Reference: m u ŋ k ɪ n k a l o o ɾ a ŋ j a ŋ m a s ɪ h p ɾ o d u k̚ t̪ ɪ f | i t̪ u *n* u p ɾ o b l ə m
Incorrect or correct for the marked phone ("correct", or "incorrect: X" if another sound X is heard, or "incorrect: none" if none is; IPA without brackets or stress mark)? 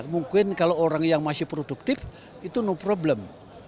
correct